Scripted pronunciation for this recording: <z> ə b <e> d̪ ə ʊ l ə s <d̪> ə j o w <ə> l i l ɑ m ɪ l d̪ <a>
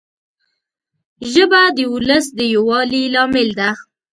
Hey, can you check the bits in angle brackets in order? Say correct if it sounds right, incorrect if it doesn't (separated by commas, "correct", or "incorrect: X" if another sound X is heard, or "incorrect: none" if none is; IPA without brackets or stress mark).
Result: incorrect: ʒ, incorrect: a, correct, incorrect: ɑ, correct